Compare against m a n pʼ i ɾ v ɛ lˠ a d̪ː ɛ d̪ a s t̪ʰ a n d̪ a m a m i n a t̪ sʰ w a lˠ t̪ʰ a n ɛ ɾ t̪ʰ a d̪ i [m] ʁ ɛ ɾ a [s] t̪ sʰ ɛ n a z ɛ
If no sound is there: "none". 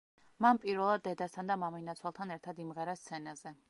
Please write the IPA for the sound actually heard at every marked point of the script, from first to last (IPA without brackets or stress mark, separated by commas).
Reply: m, s